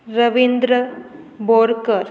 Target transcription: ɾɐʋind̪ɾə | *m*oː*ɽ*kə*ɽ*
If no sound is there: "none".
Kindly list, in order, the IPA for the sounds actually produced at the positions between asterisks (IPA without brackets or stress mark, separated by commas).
b, ɾ, ɾ